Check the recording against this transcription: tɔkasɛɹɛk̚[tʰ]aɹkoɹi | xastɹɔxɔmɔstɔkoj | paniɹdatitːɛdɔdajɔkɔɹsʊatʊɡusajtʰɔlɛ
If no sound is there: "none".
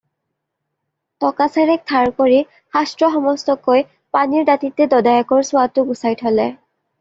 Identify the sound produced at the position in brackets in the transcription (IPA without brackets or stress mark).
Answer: tʰ